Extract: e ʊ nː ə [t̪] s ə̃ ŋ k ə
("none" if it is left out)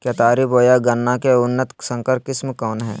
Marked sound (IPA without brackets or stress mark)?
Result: t̪